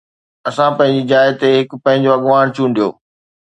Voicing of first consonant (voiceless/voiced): voiceless